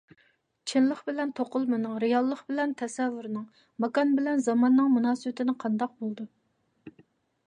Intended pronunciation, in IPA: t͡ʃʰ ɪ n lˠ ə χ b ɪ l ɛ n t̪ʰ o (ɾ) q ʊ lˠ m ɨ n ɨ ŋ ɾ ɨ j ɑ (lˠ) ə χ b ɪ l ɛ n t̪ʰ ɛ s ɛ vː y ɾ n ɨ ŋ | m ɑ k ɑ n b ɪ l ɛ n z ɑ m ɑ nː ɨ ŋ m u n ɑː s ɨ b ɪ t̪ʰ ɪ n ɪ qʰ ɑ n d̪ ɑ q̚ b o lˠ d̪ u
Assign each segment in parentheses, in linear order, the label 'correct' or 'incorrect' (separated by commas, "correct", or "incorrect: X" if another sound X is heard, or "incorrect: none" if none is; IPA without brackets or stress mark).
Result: incorrect: none, incorrect: lˠː